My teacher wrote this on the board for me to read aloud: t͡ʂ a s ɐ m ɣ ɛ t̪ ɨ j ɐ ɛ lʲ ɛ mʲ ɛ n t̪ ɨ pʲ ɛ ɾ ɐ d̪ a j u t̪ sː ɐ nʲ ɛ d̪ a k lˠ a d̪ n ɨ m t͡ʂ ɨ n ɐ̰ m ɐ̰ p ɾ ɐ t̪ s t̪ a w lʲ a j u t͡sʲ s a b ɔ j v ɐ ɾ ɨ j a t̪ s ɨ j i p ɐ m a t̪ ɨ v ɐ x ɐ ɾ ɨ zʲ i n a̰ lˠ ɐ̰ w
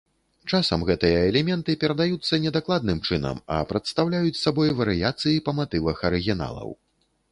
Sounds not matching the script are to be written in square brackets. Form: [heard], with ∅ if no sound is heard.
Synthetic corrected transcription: t͡ʂ a s ɐ m ɣ ɛ t̪ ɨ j ɐ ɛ lʲ ɛ mʲ ɛ n t̪ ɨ pʲ ɛ ɾ ɐ d̪ a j u t̪ sː ɐ nʲ ɛ d̪ a k lˠ a d̪ n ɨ m t͡ʂ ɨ n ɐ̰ m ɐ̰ p ɾ ɐ t̪ s t̪ a w lʲ a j u t͡sʲ s a b ɔ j v ɐ ɾ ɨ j a t̪ s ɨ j i p ɐ m a t̪ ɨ v ɐ x ɐ ɾ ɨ [ɣʲ] i n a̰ lˠ ɐ̰ w